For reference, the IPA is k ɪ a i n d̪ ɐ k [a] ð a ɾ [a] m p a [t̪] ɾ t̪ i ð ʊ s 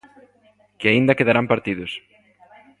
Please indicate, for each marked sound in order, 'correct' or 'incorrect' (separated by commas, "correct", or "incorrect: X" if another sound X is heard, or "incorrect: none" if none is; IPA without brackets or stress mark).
incorrect: e, correct, incorrect: none